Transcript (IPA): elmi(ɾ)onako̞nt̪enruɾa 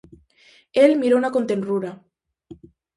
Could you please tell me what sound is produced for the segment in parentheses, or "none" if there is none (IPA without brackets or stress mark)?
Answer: ɾ